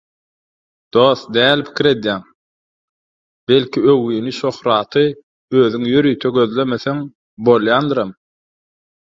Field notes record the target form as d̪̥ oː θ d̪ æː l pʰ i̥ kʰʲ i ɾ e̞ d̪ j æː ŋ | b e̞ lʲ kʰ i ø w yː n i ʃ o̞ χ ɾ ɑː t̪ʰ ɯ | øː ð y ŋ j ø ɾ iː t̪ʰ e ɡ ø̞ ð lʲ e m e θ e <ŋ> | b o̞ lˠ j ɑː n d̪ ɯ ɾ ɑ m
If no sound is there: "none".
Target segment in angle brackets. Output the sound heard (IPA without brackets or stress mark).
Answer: ŋ